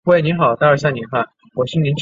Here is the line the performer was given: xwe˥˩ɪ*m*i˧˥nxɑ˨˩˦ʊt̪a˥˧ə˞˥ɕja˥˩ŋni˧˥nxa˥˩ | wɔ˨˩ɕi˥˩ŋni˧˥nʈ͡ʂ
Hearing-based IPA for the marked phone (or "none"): n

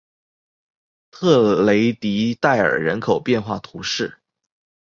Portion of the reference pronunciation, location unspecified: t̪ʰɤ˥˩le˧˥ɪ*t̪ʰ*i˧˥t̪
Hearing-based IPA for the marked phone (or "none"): t̪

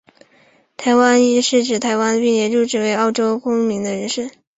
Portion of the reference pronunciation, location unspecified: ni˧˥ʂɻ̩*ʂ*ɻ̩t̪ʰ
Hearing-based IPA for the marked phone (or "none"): ʈ͡ʂ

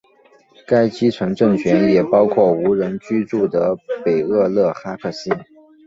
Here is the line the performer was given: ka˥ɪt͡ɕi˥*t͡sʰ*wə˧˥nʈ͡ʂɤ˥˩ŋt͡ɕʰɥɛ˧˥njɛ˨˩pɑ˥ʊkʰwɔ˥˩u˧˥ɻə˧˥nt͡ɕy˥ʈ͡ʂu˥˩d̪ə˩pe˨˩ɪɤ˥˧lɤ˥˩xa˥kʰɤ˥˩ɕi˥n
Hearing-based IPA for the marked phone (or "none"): t͡sʰ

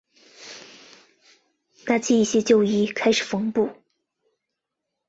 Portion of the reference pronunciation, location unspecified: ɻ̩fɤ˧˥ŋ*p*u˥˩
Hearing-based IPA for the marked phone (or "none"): p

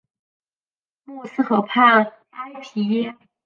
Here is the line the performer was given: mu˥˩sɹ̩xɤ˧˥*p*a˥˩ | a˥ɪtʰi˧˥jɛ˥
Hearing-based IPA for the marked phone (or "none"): pʰ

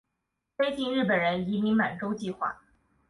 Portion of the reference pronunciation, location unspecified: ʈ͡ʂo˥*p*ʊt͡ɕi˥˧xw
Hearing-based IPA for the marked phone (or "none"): none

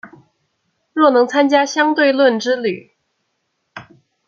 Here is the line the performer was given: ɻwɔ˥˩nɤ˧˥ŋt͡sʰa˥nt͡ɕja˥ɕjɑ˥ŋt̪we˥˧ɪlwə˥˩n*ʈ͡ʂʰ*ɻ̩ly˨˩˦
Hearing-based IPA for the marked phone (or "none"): ʈ͡ʂ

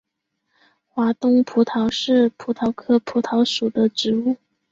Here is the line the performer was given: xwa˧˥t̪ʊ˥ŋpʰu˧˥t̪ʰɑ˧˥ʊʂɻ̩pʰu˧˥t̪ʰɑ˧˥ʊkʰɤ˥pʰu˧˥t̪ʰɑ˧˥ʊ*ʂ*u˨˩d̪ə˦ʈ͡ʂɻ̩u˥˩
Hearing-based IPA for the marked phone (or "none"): ʂ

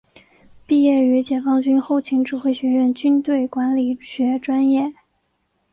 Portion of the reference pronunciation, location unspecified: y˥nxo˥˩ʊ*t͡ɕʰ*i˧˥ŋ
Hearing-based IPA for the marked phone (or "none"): t͡ɕʰ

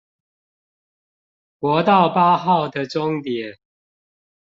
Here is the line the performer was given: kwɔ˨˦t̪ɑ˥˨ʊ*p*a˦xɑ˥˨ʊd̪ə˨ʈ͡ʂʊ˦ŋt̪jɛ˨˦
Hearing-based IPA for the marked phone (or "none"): p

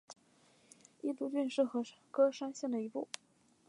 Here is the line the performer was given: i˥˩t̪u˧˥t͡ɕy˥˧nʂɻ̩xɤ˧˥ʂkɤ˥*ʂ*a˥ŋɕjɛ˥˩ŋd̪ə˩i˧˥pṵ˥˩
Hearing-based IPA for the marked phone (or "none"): ʂ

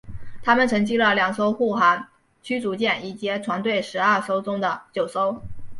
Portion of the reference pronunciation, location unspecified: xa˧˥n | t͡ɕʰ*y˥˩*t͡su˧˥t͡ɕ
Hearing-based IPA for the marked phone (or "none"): y˥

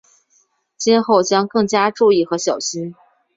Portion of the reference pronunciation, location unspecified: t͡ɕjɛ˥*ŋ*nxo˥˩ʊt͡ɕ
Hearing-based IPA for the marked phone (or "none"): none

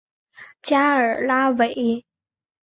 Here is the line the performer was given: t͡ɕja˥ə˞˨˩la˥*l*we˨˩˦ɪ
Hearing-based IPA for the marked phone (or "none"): none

